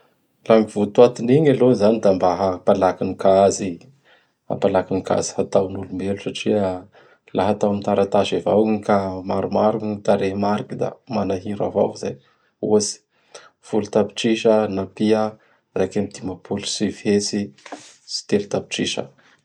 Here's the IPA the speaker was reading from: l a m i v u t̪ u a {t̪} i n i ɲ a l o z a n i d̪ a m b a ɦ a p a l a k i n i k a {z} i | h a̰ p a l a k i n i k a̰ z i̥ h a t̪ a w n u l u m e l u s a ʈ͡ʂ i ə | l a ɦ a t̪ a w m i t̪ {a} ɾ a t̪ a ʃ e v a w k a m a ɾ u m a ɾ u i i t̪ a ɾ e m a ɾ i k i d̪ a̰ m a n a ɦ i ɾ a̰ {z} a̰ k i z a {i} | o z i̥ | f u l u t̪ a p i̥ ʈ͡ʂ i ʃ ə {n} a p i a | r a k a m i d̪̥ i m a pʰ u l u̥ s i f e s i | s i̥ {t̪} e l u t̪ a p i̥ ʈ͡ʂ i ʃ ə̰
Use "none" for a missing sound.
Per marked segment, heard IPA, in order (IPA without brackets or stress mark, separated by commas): t̪, z, a, v, j, n, t̪